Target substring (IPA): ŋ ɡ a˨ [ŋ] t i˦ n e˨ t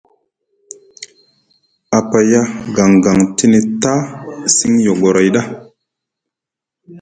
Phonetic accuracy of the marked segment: correct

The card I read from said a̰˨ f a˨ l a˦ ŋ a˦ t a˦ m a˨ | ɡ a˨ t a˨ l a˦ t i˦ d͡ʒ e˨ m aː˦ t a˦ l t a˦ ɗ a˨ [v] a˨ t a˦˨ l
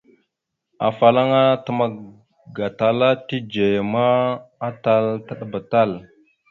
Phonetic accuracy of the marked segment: incorrect: b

